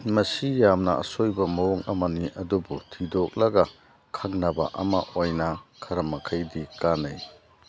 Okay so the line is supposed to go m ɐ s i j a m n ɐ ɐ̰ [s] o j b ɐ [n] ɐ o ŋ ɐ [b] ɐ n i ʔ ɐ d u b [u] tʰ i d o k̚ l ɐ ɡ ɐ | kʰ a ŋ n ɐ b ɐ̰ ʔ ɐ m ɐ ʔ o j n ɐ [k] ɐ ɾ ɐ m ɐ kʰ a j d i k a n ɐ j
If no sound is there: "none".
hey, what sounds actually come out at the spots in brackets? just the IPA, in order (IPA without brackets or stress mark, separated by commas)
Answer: s, m, m, u, kʰ